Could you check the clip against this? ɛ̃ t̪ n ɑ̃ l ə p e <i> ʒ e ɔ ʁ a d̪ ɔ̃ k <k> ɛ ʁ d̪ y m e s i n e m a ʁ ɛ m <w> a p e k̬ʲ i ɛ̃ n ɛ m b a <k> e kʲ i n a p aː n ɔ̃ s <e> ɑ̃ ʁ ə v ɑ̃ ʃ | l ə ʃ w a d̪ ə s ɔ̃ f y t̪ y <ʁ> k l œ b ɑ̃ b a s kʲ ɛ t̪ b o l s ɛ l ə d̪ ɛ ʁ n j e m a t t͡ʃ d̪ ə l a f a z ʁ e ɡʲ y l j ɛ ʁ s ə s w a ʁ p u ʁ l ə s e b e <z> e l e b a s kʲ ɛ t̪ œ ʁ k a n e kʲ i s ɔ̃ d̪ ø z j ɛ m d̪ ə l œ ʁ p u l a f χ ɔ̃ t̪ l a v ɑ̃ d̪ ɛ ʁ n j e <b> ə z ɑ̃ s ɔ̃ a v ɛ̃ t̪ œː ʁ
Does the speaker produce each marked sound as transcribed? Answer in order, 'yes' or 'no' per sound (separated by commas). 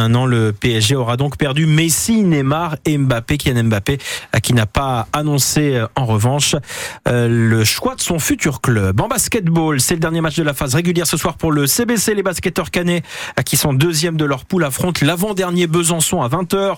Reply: no, no, no, no, yes, yes, no, yes